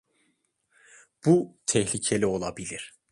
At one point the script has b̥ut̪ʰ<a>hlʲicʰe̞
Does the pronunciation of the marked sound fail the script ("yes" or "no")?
yes